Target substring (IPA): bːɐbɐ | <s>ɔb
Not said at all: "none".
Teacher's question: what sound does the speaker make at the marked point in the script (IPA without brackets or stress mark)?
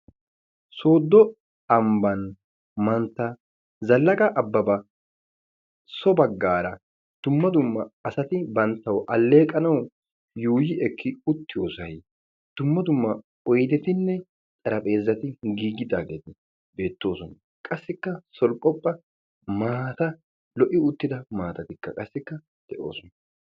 s